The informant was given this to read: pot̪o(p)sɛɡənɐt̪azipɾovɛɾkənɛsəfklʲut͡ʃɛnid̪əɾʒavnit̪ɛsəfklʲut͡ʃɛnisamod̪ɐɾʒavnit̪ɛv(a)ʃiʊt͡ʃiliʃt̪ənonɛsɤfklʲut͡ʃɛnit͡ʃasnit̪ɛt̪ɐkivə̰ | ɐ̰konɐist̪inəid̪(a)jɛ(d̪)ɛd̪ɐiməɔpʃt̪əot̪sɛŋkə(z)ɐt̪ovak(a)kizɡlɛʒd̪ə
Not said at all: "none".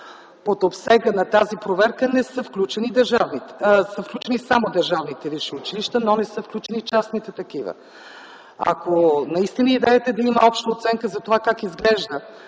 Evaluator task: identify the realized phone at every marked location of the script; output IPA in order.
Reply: p, i, ɛ, t̪, z, a

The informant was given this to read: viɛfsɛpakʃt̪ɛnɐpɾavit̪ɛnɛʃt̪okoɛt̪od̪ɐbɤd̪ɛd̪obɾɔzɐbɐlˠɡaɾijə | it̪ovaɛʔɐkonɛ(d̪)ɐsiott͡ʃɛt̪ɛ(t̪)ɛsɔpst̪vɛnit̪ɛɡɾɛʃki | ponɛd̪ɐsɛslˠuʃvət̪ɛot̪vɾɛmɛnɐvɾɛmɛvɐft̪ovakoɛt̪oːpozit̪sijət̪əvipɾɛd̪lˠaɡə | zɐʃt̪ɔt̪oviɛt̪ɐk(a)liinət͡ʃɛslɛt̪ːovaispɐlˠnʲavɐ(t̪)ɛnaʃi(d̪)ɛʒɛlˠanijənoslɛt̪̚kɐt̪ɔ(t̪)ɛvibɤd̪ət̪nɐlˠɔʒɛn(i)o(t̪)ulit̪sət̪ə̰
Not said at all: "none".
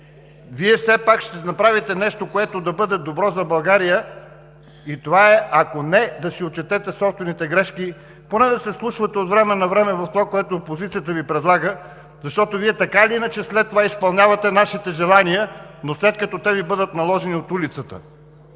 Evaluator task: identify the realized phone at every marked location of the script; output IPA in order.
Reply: d̪, t̪, a, t̪, t̪, t̪, i, t̪

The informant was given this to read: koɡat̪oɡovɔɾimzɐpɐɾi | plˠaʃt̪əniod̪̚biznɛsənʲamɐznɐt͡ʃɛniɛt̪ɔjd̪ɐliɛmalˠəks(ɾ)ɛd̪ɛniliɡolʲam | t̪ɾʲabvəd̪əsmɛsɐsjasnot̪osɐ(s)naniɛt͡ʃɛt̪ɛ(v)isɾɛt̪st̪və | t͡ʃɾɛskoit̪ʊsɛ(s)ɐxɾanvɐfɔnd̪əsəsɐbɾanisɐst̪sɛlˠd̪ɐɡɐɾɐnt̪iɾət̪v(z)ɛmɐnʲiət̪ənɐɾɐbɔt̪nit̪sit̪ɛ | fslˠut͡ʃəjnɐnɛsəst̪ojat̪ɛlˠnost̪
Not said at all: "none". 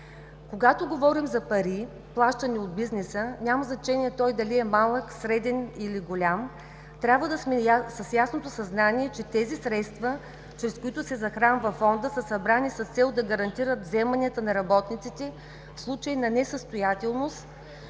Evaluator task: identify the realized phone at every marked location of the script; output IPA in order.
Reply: ɾ, z, z, z, z

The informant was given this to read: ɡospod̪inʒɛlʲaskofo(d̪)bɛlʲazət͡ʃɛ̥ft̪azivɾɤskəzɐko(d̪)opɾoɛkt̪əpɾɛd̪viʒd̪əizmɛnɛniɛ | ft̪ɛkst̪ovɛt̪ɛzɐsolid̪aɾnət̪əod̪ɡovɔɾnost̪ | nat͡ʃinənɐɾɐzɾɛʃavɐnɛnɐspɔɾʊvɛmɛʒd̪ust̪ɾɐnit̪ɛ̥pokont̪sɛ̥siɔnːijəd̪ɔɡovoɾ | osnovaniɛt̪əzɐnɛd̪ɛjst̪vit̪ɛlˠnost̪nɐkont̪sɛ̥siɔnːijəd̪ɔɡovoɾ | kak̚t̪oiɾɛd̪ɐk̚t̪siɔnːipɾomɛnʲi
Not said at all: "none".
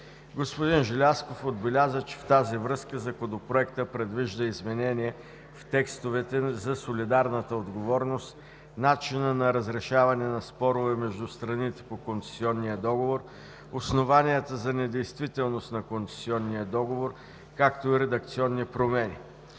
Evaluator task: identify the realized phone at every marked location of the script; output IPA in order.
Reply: d̪, d̪

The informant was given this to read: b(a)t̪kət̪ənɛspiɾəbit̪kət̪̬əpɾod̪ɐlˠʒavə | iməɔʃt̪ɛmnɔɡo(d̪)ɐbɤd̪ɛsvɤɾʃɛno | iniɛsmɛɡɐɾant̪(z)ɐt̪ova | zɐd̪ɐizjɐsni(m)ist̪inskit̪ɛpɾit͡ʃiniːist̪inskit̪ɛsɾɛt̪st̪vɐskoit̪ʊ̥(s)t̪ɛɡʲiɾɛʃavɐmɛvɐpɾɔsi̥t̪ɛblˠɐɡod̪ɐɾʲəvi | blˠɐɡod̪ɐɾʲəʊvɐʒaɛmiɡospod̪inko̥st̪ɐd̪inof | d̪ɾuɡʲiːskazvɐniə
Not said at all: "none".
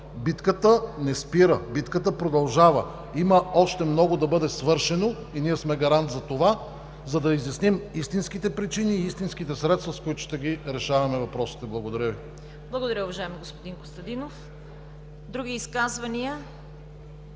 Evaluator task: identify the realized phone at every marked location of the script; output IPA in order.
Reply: i, d̪, z, m, ʃ

